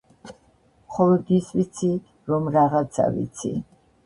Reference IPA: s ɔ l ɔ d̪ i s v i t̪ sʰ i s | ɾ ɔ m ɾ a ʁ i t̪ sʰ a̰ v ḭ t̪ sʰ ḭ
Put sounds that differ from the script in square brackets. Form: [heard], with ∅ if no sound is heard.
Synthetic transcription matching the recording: [χ] ɔ l ɔ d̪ i s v i t̪ sʰ i [∅] | ɾ ɔ m ɾ a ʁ [a] t̪ sʰ a̰ v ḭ t̪ sʰ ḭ